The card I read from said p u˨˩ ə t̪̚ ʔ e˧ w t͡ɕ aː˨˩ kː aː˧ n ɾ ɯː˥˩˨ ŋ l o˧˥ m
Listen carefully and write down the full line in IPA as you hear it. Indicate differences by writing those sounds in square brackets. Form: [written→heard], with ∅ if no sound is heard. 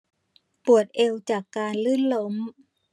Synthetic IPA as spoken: p u˨˩ ə t̪̚ ʔ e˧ w t͡ɕ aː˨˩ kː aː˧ n [ɾ→l] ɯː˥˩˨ [ŋ→n] l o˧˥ m